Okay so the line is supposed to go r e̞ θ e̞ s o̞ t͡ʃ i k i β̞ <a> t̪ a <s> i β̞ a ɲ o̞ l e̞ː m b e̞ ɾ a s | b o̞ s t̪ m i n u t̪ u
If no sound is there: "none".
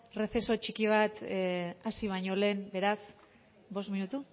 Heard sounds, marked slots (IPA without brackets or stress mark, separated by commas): a, s